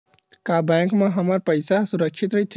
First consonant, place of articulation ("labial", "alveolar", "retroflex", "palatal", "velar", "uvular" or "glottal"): velar